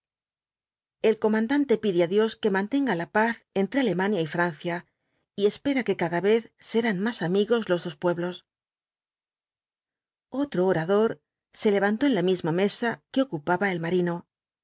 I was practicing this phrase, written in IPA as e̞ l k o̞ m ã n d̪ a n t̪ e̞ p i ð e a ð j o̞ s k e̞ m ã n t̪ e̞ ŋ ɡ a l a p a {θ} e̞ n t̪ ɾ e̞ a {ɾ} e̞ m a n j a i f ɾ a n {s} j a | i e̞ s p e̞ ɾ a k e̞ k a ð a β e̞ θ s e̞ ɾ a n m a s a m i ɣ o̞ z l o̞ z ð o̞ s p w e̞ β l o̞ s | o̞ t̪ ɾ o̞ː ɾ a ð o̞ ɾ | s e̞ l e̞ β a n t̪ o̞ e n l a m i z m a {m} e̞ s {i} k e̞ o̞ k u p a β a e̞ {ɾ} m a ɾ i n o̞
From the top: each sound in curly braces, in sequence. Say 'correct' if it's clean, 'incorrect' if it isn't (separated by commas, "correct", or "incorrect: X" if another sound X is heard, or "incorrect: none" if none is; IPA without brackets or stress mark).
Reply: correct, incorrect: l, incorrect: θ, correct, incorrect: a, incorrect: l